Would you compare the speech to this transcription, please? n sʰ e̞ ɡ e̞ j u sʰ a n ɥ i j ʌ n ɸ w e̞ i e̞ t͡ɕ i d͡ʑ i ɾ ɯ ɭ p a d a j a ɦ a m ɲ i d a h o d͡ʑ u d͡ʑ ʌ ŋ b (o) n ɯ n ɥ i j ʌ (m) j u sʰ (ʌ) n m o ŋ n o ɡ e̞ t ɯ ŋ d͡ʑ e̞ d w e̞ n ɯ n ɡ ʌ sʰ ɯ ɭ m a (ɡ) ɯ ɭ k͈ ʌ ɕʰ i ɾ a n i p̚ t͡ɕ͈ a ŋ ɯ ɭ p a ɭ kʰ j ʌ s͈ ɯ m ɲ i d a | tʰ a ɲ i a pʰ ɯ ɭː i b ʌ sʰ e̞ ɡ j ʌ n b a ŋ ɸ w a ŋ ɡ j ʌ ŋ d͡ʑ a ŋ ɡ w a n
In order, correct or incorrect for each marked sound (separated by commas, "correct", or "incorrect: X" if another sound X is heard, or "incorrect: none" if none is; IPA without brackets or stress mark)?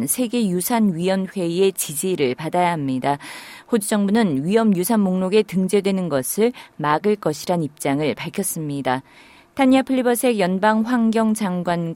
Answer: incorrect: u, correct, incorrect: a, correct